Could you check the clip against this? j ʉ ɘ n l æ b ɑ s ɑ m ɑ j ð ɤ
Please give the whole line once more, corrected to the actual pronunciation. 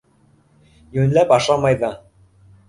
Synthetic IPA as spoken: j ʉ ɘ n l æ p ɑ ʃ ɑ m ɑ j ð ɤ